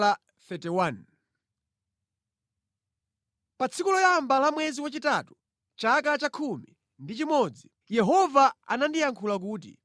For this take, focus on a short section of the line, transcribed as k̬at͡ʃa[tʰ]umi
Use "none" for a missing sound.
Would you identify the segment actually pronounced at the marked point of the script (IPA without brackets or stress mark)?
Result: kʰ